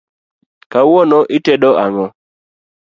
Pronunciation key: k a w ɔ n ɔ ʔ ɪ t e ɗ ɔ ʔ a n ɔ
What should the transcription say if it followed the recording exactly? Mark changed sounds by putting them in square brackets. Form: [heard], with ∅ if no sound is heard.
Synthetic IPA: k a w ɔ n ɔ ʔ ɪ t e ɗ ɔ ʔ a [ŋ] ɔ